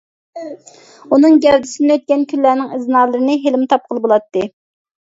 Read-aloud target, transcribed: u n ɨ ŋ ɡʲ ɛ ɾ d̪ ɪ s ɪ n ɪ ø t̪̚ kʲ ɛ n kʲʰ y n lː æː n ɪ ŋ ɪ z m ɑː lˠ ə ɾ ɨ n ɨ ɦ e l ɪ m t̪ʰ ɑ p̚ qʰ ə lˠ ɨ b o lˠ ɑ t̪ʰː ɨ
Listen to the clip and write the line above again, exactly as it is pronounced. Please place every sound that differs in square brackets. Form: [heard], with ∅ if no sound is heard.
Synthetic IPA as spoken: u n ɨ ŋ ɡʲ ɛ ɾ d̪ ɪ s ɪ n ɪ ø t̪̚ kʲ ɛ n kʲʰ y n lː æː n ɪ ŋ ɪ z [n] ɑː lˠ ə ɾ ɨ n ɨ ɦ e l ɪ m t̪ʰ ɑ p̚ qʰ ə lˠ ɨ b o lˠ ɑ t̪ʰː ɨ